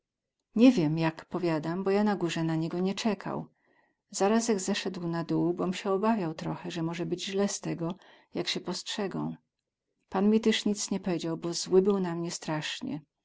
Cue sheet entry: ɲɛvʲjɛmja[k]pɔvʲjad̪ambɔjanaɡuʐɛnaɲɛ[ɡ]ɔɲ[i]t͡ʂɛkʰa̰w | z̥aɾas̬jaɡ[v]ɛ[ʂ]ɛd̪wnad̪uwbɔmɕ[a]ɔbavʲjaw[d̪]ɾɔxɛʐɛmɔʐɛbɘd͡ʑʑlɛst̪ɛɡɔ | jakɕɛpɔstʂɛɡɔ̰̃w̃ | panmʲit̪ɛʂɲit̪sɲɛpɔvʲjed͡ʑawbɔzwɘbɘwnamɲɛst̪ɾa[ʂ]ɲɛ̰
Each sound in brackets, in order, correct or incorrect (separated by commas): correct, correct, incorrect, incorrect, correct, incorrect, incorrect, correct